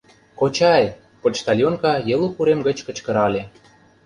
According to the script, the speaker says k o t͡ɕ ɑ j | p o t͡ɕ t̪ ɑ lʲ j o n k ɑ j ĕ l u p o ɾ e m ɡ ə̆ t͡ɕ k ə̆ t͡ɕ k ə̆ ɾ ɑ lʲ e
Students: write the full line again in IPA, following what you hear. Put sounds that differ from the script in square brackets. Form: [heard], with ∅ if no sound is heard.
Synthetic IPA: k o t͡ɕ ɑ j | p o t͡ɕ t̪ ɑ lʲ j o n k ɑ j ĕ l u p [u] ɾ e m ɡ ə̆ t͡ɕ k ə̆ t͡ɕ k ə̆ ɾ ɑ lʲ e